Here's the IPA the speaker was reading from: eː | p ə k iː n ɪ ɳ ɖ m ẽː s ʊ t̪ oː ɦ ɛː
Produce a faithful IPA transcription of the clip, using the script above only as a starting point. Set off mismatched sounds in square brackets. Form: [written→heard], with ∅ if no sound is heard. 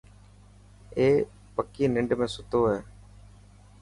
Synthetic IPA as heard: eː | p ə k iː n ɪ ɳ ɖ m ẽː s ʊ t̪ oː ɦ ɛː